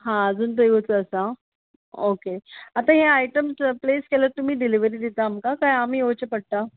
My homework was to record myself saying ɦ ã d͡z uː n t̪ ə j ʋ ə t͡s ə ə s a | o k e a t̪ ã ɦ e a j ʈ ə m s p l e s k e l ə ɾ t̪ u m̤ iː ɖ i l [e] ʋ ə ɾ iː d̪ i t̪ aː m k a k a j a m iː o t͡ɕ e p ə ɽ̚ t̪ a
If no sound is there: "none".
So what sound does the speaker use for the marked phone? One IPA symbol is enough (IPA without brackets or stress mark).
i